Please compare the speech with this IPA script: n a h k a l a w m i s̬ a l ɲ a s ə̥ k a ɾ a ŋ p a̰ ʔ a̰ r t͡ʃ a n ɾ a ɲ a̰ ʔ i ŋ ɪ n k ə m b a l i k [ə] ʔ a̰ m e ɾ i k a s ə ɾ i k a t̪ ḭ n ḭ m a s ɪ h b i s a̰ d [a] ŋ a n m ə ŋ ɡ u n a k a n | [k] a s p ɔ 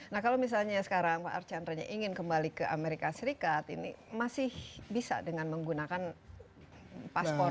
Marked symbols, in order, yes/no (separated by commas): yes, no, no